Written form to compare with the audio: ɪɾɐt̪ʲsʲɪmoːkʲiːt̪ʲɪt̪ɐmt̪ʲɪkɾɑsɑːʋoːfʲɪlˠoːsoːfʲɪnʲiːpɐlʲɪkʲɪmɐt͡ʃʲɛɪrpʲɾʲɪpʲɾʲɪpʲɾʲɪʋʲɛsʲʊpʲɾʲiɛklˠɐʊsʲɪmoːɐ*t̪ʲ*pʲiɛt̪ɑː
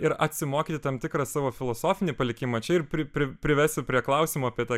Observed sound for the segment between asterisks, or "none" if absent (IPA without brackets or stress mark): none